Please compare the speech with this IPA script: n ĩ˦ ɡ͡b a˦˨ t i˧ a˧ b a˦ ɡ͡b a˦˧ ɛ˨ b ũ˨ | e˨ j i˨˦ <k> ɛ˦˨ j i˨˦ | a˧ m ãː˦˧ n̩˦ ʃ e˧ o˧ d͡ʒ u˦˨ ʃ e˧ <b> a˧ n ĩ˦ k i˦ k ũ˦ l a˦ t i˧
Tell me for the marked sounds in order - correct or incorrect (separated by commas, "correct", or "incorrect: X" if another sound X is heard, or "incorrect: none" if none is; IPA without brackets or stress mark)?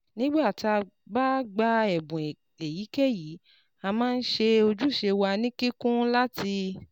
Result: correct, incorrect: w